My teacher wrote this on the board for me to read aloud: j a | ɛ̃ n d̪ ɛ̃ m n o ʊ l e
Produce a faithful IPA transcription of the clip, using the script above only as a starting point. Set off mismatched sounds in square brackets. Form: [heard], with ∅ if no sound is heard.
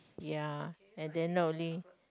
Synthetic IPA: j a | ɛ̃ n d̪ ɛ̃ [n] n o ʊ l [i]

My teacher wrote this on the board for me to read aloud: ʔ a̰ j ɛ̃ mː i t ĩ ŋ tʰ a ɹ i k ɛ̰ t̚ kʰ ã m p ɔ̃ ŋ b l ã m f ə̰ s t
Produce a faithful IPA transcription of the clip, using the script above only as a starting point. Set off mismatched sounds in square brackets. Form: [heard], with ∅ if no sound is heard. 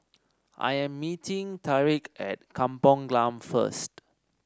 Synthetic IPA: ʔ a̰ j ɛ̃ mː i t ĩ ŋ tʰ a ɹ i k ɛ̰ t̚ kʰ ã m p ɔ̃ ŋ [ɡ] l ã m f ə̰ s t

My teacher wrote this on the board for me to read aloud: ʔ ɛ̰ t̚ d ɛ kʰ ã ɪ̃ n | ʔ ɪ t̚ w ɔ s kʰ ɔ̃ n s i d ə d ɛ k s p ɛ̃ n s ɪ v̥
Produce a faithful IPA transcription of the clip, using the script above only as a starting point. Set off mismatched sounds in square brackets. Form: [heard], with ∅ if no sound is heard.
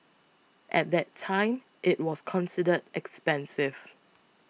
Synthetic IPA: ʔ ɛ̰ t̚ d ɛ [tʰ] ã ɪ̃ [m] | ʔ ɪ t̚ w ɔ s kʰ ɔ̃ n s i d ə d ɛ k s p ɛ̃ n s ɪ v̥

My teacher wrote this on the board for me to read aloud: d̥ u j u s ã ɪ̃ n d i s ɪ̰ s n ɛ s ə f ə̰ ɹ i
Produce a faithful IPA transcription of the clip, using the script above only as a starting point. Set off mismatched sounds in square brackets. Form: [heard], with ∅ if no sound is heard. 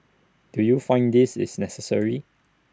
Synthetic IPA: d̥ u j u [f] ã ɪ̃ n d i s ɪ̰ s n ɛ s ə [s] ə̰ ɹ i

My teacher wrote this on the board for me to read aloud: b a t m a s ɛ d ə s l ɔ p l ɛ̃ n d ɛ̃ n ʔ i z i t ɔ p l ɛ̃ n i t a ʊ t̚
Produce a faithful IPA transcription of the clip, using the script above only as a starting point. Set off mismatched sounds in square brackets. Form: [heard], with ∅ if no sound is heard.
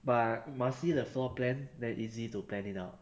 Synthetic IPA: b a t m a s [i] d ə [f] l ɔ p l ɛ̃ n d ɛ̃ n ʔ i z i t [u] p l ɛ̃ n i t a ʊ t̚

